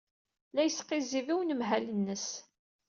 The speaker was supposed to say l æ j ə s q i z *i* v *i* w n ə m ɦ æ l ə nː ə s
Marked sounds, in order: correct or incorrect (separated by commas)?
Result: correct, correct